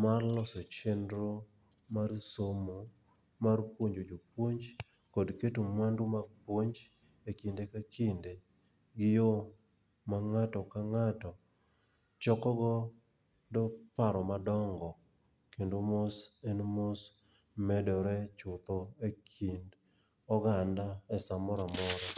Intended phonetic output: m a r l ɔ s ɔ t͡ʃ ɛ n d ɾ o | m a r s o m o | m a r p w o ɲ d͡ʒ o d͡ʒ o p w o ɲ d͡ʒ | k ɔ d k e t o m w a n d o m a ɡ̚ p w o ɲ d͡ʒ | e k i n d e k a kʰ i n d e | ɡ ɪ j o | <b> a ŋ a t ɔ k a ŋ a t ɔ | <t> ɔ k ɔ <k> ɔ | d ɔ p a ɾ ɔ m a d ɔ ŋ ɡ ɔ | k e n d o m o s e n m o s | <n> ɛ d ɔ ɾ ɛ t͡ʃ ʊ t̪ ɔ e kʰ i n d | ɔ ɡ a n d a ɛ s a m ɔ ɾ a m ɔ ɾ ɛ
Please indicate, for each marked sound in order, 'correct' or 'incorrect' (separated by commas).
incorrect, incorrect, incorrect, incorrect